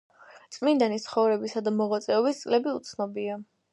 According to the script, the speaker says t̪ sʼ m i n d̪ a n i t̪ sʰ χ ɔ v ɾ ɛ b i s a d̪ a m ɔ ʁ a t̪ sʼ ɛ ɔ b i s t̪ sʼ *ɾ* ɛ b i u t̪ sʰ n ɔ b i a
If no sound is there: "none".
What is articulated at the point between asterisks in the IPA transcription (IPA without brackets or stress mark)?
l